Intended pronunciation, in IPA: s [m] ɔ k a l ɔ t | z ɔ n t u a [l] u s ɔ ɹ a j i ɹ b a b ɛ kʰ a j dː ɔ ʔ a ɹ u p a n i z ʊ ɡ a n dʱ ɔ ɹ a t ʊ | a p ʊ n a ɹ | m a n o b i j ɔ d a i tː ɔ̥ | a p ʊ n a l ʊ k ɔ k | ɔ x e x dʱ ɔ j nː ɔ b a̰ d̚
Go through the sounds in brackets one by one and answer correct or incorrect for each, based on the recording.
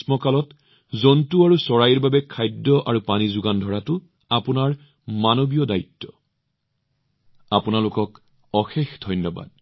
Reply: correct, incorrect

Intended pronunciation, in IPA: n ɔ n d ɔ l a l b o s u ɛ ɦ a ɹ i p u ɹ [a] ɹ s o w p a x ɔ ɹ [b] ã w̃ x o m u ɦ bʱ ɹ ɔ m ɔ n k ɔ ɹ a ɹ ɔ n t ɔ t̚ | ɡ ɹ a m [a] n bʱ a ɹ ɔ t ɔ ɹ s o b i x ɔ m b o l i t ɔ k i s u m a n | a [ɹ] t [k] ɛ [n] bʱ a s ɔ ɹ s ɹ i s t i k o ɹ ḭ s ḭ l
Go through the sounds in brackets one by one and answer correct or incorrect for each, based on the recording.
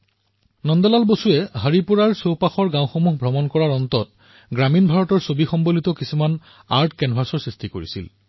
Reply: correct, incorrect, incorrect, correct, correct, correct

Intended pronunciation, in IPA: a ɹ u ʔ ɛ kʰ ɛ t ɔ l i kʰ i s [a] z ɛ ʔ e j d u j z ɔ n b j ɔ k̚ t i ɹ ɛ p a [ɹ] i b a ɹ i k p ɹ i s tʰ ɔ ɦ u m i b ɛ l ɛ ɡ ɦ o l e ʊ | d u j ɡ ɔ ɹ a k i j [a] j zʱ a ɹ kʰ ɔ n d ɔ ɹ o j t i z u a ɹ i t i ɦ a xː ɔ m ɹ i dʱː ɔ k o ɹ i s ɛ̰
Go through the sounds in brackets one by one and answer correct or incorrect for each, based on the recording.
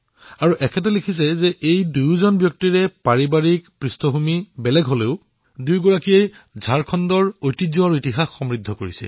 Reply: incorrect, correct, incorrect

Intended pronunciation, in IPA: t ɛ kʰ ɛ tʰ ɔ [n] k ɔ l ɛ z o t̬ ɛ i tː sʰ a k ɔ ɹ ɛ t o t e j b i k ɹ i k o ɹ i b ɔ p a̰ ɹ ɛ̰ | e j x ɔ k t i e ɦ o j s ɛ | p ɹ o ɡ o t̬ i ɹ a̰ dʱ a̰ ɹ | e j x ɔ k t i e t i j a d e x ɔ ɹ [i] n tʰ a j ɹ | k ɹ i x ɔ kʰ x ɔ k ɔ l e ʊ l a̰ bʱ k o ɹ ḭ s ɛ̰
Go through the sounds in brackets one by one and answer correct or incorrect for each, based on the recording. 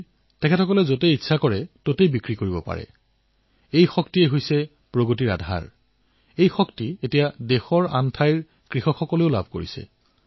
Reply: incorrect, incorrect

